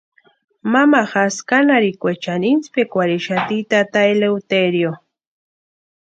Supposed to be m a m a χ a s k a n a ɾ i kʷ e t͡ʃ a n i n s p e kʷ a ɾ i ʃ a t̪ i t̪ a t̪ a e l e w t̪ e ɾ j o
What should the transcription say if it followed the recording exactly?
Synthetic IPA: m a m a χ a s k a n a ɾ i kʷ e t͡ʃ a n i n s p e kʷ a ɾ i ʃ a t̪ i t̪ a t̪ a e l e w t̪ e ɾ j o